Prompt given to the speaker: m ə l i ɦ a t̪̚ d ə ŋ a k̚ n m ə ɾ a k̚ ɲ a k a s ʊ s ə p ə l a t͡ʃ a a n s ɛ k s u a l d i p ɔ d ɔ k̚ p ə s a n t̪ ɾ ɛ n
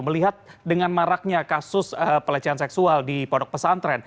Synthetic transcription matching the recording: m ə l i ɦ a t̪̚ d ə ŋ a n m a ɾ a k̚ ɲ a k a s ʊ s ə p ə l a t͡ʃ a a n s ɛ k s u a l d i p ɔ d ɔ k̚ p ə s a n t̪ ɾ ɛ n